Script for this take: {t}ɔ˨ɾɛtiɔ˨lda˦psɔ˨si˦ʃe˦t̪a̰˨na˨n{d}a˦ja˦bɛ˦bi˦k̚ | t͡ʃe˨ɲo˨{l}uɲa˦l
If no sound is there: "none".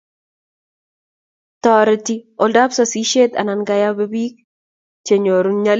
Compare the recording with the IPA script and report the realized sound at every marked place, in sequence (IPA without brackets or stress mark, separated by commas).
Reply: t, ɡ, ɾ